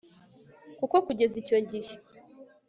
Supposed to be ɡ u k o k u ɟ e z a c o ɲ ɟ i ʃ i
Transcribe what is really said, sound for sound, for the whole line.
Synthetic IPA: k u k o k u ɟ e z i c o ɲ ɟ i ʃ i